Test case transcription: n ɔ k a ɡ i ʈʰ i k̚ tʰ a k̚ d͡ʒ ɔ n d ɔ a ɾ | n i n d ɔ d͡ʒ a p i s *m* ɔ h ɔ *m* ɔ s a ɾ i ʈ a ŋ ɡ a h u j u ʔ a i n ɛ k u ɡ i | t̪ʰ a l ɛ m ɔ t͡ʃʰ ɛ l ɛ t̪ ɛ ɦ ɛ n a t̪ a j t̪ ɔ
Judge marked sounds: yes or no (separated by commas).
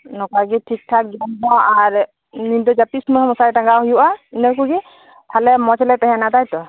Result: yes, yes